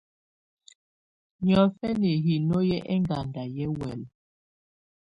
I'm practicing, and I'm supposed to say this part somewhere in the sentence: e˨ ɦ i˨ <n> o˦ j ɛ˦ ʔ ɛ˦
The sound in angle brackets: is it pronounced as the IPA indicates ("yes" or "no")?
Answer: yes